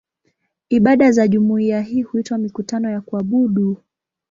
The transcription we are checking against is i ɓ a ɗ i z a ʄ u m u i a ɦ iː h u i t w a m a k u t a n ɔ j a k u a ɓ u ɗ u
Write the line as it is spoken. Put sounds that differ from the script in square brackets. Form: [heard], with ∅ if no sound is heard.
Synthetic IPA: i ɓ a ɗ [a] z a ʄ u m u i a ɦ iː h u i t w a m [i] k u t a n ɔ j a k u a ɓ u ɗ u